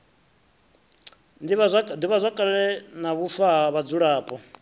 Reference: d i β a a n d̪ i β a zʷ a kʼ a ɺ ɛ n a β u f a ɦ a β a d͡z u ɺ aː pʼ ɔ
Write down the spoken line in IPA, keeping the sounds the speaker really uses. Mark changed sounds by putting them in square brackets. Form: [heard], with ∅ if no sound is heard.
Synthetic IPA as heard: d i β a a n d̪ i β a zʷ a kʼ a ɺ ɛ n a β u f a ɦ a β a d͡z u ɺ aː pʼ ɔ